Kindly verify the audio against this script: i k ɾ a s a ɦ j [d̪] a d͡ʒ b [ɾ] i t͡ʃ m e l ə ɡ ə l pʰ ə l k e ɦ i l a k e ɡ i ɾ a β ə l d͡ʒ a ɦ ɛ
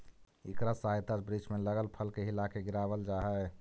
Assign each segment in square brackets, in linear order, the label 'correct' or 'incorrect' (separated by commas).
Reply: incorrect, correct